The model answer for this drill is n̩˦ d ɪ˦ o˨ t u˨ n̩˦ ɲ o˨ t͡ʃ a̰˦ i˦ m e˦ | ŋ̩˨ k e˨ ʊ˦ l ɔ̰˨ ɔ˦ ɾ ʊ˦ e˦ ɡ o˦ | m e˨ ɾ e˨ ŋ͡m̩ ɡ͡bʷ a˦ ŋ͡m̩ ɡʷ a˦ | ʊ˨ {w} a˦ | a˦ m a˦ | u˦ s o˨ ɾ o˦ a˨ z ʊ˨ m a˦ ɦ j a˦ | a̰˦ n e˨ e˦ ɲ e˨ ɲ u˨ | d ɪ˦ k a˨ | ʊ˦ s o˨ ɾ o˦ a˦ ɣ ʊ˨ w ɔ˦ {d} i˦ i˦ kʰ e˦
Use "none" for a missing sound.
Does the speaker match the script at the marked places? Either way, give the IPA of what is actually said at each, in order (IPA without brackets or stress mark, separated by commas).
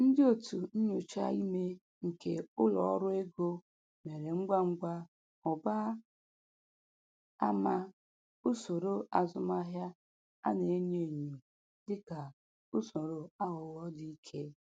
b, d